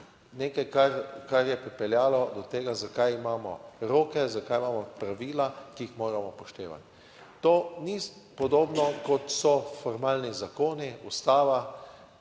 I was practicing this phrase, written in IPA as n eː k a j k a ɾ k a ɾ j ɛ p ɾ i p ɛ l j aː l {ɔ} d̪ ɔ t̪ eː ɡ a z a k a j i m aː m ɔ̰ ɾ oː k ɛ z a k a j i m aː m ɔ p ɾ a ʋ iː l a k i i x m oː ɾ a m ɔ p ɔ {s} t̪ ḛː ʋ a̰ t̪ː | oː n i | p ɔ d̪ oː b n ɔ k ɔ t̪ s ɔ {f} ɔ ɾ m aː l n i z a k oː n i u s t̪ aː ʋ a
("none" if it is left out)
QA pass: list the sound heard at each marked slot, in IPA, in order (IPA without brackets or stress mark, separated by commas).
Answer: ɔ, ʃ, f